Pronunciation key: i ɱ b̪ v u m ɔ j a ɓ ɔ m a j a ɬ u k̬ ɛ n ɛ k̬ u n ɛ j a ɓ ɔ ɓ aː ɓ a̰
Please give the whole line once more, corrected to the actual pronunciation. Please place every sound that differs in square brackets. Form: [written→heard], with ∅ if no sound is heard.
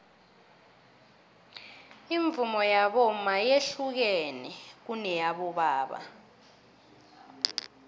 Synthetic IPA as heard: i ɱ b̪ v u m ɔ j a ɓ ɔ m a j [a→e] ɬ u k̬ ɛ n ɛ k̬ u n ɛ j a ɓ ɔ ɓ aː ɓ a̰